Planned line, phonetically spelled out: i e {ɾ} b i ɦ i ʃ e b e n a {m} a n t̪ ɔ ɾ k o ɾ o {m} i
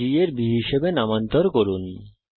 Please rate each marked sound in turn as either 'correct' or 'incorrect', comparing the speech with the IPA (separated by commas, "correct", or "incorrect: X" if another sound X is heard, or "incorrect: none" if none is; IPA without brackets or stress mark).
correct, correct, incorrect: n